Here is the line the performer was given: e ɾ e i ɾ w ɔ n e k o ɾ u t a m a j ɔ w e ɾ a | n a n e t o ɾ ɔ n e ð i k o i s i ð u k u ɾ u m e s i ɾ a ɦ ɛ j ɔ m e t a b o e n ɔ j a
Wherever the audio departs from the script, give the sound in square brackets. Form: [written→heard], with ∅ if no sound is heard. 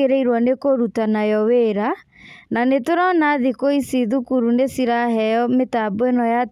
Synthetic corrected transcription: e ɾ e i ɾ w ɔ n e k o ɾ u t a [m→n] a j ɔ w e ɾ a | n a n e t o ɾ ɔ n [e→a] ð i k o i s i ð u k u ɾ u [m→n] e s i ɾ a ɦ ɛ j ɔ m e t a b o e n ɔ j a